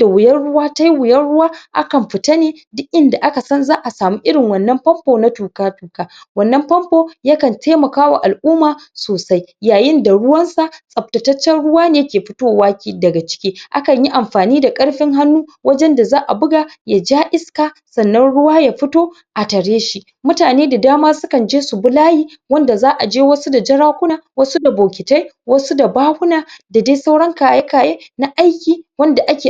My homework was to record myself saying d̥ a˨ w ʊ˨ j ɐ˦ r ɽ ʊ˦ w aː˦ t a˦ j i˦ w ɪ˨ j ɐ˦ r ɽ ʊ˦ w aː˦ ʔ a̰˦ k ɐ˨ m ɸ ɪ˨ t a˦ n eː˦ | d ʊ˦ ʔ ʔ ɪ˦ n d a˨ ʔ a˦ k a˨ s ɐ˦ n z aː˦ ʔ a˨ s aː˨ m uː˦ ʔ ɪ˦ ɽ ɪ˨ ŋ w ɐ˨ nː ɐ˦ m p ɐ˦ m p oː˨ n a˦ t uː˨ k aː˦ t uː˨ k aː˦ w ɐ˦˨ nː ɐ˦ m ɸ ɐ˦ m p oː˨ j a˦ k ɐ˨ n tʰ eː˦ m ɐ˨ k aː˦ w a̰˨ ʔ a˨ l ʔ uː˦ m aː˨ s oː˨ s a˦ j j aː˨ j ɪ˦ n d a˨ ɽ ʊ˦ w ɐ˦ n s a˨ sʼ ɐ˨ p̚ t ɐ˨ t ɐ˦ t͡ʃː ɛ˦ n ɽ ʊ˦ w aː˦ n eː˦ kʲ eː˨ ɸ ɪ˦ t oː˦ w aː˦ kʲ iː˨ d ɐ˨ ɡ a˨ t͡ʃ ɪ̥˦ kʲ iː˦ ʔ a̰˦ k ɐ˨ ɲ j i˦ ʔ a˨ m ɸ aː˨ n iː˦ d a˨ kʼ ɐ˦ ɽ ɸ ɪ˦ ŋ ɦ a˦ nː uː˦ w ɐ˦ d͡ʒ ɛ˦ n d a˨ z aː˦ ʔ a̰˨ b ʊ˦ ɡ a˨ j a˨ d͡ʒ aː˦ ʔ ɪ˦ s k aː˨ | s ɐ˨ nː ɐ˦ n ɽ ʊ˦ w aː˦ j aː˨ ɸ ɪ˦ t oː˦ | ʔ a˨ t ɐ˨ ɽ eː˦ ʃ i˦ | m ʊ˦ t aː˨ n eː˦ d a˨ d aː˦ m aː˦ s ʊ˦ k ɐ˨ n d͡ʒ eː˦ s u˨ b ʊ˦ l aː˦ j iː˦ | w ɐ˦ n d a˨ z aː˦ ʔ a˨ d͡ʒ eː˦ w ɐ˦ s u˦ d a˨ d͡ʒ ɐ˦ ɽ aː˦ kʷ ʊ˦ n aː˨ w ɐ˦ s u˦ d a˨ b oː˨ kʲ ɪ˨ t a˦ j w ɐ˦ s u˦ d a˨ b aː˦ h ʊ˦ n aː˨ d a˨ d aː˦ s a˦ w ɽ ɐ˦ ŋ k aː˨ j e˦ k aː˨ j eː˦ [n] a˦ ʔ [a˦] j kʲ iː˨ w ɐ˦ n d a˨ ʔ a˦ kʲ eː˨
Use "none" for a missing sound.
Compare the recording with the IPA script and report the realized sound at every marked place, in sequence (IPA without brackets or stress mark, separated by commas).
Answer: n, a˦